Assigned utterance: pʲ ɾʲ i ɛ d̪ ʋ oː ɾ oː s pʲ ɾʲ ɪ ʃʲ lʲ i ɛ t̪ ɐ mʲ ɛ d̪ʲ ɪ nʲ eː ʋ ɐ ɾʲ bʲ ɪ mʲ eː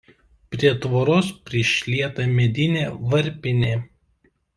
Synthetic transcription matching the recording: pʲ ɾʲ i ɛ t̪ ʋ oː ɾ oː s pʲ ɾʲ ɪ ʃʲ lʲ i ɛ t̪ ɐ mʲ ɛ d̪ʲ ɪ nʲ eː ʋ ɐ ɾʲ pʲ ɪ nʲ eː